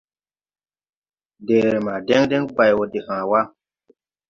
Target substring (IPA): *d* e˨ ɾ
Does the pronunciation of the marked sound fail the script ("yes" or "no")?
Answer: no